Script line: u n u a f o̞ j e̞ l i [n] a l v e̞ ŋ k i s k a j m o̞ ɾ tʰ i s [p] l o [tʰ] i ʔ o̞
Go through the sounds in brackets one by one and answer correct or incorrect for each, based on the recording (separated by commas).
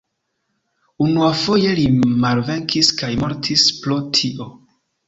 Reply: incorrect, correct, correct